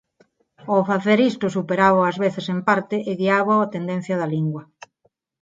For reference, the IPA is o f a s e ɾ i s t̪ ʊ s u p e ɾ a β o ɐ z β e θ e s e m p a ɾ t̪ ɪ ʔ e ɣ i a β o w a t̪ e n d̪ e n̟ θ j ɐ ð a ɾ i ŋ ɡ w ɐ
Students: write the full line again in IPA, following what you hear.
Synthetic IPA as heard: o f a θ e ɾ i s t̪ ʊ s u p e ɾ a β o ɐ z β e θ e s e m p a ɾ t̪ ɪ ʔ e ɣ i a β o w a t̪ e n d̪ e n̟ θ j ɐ ð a l i ŋ ɡ w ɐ

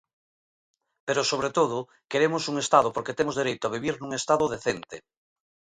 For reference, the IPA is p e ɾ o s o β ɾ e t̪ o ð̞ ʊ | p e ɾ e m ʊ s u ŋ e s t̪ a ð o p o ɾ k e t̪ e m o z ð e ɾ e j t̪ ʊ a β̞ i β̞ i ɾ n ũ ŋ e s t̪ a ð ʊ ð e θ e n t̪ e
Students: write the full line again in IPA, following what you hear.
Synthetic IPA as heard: p e ɾ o s o β ɾ e t̪ o ð̞ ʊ | k e ɾ e m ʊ s u ŋ e s t̪ a ð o p o ɾ k e t̪ e m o z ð e ɾ e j t̪ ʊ a β̞ i β̞ i ɾ n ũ ŋ e s t̪ a ð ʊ ð e θ e n t̪ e

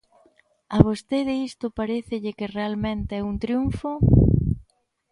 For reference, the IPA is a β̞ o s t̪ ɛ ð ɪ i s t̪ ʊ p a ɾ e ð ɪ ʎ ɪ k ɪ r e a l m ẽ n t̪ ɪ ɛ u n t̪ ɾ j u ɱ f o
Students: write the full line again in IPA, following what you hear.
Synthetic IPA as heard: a β̞ o s t̪ e ð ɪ i s t̪ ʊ p a ɾ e θ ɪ ʎ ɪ k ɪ r e a l m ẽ n t̪ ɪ ɛ u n t̪ ɾ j u ɱ f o

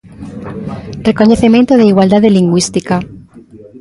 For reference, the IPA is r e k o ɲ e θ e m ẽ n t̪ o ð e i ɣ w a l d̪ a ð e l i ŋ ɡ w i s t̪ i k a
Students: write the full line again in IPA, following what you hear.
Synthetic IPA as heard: r e k o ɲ e θ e m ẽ n t̪ o ð e i ɣ w a l d̪ a ð e l i ŋ ɡ w i s t̪ i k a

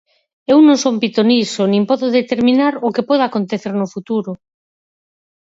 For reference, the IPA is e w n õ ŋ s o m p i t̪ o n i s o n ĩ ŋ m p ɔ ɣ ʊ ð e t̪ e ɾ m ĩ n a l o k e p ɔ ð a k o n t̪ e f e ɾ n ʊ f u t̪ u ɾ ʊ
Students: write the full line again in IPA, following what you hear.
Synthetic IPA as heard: e w n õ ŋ s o m p i t̪ o n i s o n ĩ m p ɔ ð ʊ ð e t̪ e ɾ m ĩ n a ɾ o k e p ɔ ð a k o n t̪ e θ e ɾ n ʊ f u t̪ u ɾ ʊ

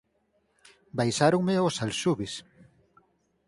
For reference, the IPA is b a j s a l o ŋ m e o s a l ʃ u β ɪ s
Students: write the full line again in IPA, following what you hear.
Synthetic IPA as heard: b a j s a ɾ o ŋ m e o s a l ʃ u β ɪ s

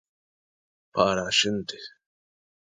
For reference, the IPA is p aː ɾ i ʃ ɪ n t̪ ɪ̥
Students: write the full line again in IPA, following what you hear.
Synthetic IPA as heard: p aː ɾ a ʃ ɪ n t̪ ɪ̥

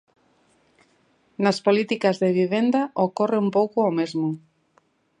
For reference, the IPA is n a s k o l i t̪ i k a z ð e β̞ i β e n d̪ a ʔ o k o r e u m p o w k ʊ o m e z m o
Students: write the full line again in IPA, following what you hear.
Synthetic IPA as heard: n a s p o l i t̪ i k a z ð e β̞ i β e n d̪ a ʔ o k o r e u m p o w k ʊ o m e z m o

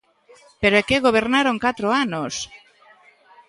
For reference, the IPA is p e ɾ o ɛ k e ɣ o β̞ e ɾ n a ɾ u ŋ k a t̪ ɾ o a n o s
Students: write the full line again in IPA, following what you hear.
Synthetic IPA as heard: p e ɾ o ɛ k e ɣ o β̞ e ɾ n a ɾ o ŋ k a t̪ ɾ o a n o s

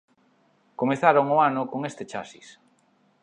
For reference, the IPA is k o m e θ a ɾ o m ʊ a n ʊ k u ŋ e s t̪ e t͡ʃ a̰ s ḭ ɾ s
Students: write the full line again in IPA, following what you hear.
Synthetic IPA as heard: k o m e θ a ɾ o ŋ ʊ a n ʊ k o ŋ e s t̪ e t͡ʃ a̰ s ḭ s

